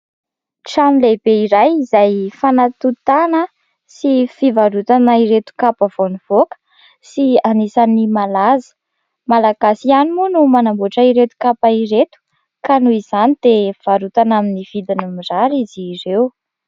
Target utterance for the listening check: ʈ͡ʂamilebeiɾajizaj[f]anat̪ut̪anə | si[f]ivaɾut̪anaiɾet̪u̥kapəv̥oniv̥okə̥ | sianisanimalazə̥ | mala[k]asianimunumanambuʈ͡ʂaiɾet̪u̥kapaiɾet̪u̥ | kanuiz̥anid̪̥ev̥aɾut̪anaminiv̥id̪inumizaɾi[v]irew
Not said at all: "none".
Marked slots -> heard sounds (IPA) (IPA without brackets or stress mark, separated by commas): f, f, ɡ, z